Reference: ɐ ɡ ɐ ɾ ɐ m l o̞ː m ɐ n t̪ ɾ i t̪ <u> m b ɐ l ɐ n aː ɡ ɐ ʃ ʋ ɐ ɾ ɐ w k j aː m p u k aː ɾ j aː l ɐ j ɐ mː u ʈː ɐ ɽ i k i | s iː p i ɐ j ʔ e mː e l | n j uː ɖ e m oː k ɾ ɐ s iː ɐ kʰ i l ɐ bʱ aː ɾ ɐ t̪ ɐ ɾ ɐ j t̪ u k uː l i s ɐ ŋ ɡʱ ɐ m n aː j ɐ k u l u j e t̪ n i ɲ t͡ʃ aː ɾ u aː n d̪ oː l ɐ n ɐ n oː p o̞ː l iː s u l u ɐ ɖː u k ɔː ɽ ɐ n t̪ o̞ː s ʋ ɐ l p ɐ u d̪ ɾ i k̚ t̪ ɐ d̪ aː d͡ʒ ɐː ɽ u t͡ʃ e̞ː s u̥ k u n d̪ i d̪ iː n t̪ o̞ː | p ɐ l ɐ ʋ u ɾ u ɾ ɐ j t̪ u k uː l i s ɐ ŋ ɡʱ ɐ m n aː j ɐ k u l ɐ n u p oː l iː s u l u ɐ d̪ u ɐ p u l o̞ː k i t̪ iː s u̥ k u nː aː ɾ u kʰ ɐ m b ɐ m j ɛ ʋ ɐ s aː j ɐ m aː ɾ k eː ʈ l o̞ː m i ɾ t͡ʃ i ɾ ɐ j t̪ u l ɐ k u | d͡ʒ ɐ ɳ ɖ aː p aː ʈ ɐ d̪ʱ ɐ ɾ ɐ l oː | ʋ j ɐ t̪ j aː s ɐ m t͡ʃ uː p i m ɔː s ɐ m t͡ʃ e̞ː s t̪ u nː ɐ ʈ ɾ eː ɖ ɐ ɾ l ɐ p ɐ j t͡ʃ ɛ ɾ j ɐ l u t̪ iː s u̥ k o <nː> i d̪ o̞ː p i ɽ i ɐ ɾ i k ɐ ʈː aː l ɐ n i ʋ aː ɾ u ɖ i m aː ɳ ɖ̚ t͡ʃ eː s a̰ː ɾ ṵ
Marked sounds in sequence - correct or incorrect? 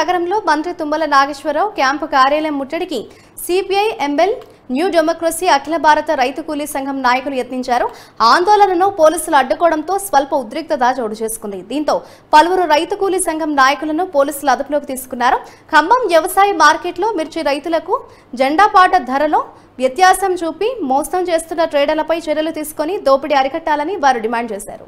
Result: correct, incorrect: n

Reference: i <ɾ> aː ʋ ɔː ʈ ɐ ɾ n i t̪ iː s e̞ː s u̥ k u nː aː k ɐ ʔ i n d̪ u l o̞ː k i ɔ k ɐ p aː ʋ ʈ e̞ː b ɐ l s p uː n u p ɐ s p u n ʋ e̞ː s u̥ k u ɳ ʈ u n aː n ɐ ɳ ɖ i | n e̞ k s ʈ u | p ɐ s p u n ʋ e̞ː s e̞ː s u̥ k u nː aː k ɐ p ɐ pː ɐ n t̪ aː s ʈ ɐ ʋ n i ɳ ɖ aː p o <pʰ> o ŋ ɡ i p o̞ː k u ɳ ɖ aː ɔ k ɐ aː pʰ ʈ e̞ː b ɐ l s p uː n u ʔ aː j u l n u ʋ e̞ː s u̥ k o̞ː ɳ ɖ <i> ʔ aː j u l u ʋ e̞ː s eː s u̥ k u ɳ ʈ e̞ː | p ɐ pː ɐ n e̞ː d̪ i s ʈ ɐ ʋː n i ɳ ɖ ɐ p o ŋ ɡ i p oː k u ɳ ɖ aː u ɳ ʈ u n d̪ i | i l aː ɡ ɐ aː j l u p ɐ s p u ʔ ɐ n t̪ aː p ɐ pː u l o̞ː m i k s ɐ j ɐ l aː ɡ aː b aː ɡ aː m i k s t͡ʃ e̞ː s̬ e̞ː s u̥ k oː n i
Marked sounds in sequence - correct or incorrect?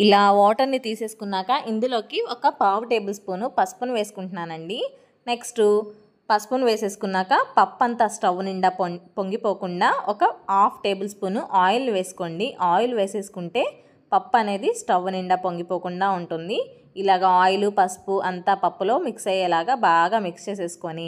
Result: incorrect: l, incorrect: p, correct

